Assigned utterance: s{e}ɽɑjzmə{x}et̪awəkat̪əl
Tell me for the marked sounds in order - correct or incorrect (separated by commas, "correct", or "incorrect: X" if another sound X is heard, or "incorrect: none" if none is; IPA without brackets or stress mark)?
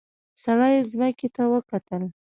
incorrect: a, incorrect: k